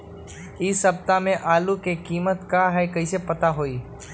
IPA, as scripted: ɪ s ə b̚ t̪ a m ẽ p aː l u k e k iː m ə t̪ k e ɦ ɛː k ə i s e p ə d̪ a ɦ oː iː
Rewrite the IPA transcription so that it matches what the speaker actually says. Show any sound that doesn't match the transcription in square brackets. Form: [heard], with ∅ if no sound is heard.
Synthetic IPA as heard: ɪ s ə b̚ t̪ a m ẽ [ʔ] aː l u k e k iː m ə t̪ k [a] ɦ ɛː k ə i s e p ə [t̪] a ɦ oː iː